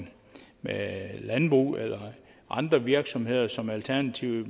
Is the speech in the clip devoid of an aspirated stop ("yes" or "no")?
no